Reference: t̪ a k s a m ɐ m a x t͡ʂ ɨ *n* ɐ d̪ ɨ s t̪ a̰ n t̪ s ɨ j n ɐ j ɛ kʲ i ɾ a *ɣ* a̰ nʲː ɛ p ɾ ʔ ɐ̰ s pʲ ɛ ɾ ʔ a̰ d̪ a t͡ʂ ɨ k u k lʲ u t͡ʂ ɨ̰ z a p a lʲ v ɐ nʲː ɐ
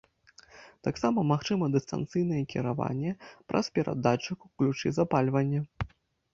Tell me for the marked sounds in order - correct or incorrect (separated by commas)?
incorrect, incorrect